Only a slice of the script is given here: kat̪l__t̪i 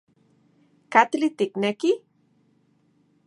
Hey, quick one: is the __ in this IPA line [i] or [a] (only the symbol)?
i